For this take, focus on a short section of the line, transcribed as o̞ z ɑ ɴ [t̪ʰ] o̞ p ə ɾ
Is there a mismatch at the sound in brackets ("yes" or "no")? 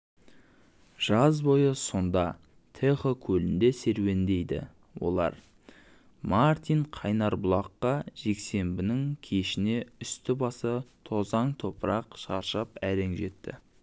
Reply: no